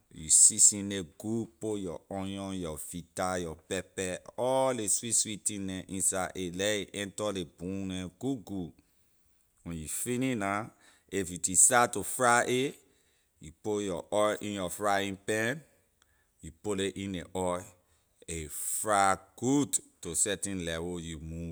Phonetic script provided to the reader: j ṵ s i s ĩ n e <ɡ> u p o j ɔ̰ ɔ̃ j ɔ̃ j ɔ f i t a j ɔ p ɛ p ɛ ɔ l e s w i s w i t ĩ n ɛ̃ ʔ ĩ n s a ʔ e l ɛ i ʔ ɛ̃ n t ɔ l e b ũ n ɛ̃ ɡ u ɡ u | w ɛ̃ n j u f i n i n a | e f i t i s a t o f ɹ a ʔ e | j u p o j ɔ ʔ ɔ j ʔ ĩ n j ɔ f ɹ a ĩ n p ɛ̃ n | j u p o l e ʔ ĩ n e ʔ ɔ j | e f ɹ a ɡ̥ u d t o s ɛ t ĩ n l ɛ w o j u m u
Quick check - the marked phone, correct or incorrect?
correct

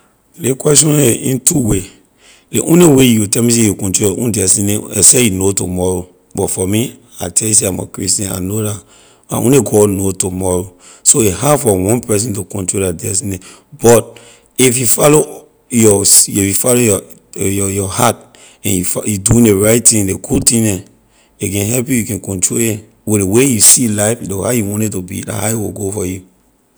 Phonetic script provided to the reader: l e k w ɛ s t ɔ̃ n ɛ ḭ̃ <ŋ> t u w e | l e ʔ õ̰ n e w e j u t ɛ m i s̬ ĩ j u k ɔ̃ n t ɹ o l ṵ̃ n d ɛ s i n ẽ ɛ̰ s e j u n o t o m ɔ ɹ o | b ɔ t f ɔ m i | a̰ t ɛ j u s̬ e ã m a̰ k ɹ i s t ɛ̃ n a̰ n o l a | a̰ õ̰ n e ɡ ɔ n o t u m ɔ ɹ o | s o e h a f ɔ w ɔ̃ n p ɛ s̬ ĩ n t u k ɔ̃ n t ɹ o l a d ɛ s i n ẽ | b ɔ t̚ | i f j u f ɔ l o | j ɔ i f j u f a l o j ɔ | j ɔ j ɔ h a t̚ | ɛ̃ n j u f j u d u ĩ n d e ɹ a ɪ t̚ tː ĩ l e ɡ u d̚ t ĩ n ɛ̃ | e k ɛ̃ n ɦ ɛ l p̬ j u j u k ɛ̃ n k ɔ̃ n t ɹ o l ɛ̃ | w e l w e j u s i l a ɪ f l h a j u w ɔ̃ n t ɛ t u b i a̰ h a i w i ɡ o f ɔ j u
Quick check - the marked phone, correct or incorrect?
incorrect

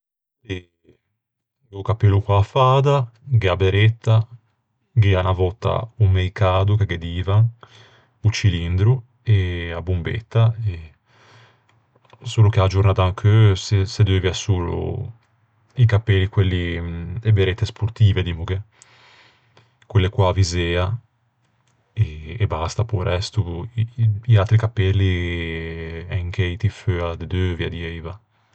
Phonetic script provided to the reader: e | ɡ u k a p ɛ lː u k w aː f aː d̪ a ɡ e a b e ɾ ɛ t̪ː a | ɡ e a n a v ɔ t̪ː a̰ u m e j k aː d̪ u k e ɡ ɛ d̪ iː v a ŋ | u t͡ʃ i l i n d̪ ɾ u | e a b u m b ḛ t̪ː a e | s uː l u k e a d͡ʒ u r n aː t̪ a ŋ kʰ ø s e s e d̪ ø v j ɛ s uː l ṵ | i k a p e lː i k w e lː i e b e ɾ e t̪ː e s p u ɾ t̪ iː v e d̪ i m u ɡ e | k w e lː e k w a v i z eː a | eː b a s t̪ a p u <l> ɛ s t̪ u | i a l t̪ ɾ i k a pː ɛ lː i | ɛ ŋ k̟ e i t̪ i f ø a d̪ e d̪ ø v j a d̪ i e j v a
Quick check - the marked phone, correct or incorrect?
incorrect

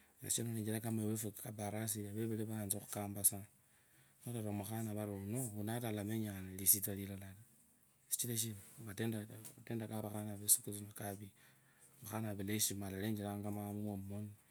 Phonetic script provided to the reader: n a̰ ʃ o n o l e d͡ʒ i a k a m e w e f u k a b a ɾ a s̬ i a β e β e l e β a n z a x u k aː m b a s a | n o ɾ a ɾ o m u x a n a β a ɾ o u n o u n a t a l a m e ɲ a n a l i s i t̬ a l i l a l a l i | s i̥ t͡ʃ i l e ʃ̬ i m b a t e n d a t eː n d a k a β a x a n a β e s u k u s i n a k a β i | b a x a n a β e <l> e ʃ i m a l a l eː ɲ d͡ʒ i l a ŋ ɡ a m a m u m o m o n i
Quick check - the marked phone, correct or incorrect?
correct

